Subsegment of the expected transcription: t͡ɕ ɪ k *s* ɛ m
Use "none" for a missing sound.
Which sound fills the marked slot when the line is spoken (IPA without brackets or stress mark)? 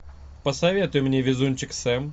s